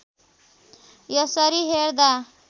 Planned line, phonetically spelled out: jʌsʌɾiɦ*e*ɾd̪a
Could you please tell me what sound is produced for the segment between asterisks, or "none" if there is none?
e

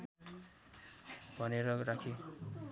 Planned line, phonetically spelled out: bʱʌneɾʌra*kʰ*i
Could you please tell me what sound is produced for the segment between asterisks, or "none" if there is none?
kʰ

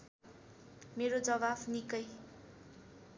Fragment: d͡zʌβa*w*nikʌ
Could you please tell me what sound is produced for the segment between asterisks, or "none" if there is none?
b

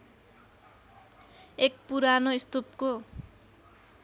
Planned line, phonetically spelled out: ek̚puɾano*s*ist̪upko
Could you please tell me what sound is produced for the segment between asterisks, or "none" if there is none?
none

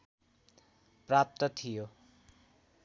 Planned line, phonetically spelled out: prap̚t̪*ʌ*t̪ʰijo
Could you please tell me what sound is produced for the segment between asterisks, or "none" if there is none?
ʌ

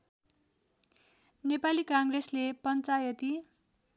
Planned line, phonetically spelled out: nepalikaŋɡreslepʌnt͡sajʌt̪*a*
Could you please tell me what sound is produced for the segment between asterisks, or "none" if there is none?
i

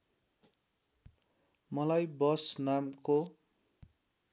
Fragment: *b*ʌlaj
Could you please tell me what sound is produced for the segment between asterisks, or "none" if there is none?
m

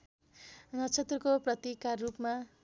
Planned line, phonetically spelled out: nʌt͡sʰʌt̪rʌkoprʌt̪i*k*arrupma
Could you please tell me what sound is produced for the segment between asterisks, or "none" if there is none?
k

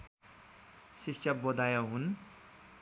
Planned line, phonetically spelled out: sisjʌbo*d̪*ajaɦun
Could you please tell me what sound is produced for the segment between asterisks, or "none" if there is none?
d̪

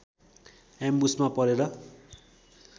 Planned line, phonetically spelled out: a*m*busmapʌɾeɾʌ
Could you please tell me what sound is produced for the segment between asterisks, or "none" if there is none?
m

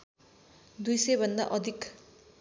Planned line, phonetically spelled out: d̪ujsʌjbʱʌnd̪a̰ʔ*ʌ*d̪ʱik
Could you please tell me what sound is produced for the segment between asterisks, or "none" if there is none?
ʌ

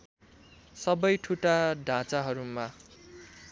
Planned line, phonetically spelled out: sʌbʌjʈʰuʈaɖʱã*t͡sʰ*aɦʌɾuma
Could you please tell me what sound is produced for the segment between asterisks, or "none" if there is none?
t͡s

